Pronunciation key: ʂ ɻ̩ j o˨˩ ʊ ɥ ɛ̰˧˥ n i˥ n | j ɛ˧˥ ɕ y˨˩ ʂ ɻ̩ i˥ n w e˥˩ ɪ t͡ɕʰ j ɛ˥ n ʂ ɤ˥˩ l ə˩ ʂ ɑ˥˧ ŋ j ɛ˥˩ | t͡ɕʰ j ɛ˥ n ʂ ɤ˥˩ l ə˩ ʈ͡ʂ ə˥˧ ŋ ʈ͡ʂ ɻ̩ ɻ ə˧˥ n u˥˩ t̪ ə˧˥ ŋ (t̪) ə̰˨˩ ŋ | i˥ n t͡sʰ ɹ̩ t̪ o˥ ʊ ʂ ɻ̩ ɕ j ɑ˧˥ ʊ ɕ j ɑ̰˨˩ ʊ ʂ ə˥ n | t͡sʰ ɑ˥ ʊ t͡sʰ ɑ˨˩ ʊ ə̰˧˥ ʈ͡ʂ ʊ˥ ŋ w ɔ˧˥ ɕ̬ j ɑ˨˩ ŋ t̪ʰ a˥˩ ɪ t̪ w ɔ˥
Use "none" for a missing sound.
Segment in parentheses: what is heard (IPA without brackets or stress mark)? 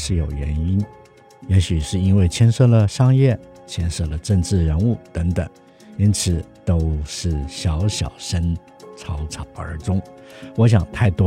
t̪